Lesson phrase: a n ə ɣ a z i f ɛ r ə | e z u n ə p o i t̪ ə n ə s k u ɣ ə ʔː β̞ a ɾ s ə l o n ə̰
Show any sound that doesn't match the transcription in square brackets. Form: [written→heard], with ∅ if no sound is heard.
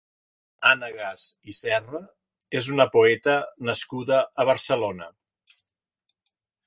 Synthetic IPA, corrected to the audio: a n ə ɣ a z i [f→s] ɛ r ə | e z u n ə p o [i→ɛ] t̪ ə n ə s k u [ɣ→ð] ə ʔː β̞ [a→ə] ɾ s ə l o n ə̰